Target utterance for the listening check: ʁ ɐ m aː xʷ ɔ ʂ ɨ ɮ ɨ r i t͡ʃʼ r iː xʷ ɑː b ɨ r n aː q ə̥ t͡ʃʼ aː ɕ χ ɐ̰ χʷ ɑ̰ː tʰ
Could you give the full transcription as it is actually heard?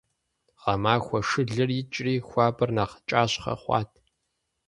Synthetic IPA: ʁ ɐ m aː xʷ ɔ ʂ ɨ ɮ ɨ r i t͡ʃʼ r iː xʷ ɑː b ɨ r n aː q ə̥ t͡ʃʼ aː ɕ χ ɐ̰ χʷ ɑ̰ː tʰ

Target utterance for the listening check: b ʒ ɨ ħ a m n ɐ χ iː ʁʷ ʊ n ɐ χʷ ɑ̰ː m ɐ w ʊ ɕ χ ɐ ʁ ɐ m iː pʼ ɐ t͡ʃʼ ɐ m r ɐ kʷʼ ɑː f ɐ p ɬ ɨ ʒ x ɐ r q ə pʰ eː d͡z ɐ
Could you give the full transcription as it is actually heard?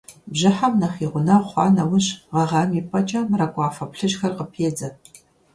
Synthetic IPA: b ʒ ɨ ħ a m n ɐ χ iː ʁʷ ʊ n ɐ χʷ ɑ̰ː n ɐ w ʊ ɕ ʁ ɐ ʁ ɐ m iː pʼ ɐ t͡ʃʼ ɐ m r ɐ kʷʼ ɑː f ɐ p ɬ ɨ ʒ x ɐ r q ə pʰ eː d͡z ɐ

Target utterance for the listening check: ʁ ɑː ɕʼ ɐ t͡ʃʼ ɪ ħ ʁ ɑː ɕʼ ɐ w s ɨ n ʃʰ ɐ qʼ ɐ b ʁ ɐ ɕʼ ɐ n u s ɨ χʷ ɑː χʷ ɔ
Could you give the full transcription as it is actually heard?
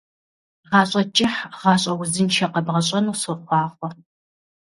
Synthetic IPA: ʁ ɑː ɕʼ ɐ t͡ʃʼ ɪ ħ ʁ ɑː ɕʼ ɐ w z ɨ n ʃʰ ɐ q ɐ b ʁ ɐ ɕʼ ɐ n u s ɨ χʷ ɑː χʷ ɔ

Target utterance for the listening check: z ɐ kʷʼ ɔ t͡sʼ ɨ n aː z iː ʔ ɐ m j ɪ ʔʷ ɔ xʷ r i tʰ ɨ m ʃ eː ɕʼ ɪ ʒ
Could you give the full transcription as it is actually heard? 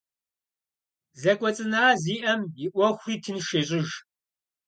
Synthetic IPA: z ɐ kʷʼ ɔ t͡sʼ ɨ n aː z iː ʔ ɐ m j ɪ ʔʷ ɔ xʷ r iː tʰ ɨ n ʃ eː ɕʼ ɪ ʒ

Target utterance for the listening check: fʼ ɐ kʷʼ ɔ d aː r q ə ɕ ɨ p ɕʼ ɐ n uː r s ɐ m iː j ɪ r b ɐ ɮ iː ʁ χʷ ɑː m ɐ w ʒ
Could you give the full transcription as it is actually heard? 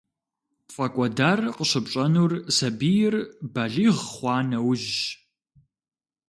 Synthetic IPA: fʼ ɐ kʷʼ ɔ d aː r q ə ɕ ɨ p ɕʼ ɐ n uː r s ɐ b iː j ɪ r b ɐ ɮ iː ʁ χʷ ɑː n ɐ w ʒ

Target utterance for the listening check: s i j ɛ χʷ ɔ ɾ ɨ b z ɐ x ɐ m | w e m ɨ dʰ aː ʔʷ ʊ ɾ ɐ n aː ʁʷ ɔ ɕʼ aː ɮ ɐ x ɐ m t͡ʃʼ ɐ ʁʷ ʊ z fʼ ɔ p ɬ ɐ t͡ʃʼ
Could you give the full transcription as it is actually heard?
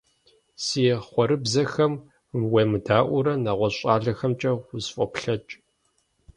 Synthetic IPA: s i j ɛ χʷ ɔ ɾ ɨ b z ɐ x ɐ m | w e m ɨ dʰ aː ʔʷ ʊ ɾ ɐ n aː ʁʷ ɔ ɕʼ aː ɮ ɐ x ɐ m t͡ʃʼ ɐ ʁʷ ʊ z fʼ ɔ p ɬ ɐ t͡ʃʼ

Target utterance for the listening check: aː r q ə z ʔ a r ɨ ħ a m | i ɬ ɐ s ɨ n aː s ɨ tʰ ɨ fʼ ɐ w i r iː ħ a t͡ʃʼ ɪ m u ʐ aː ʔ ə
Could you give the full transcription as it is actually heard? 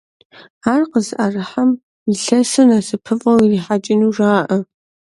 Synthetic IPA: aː r q ə z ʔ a r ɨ ħ a m | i ɬ ɐ s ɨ n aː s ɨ pʰ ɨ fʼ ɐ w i r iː ħ a t͡ʃʼ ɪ n u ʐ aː ʔ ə

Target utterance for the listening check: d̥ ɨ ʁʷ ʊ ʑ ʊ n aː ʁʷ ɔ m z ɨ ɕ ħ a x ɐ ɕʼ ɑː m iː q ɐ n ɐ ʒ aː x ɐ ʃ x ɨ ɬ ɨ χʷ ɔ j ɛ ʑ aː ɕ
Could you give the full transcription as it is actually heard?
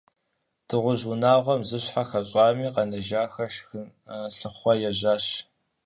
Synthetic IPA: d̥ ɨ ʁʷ ʊ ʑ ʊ n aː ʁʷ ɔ m z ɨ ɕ ħ a x ɐ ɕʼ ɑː m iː q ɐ n ɐ ʒ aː x ɐ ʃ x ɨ ɬ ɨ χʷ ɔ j ɛ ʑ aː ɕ

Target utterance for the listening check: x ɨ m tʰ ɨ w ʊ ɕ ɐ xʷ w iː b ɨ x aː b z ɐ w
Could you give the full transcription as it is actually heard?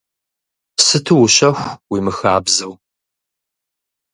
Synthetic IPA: s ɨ tʰ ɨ w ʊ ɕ ɐ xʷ w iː m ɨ x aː b z ɐ w

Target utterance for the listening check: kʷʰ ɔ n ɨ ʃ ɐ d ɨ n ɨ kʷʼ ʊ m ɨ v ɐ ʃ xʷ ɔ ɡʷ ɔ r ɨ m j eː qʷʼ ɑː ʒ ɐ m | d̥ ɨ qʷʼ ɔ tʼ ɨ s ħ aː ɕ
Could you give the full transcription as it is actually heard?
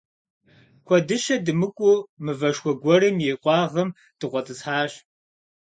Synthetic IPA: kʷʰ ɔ d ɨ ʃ ɐ d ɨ m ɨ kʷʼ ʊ m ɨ v ɐ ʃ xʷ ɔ ɡʷ ɔ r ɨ m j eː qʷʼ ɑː ʁ ɐ m | d̥ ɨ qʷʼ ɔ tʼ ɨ s ħ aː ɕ

